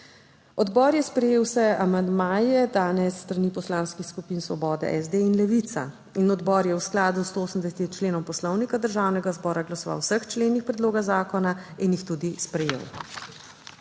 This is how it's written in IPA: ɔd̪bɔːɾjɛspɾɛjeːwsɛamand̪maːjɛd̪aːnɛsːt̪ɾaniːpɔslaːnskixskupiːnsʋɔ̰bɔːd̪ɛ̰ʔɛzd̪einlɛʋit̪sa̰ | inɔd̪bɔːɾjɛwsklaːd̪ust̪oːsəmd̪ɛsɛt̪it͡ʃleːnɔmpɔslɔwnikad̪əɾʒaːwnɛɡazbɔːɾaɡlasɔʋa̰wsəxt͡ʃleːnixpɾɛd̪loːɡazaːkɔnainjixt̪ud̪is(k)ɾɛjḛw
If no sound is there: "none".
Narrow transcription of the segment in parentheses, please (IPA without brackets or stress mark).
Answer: p